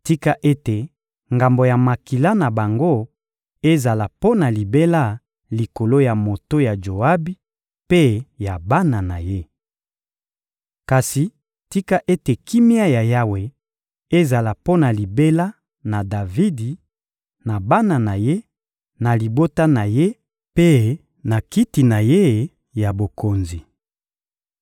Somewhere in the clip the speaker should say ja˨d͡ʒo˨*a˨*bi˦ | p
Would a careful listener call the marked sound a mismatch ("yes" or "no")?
yes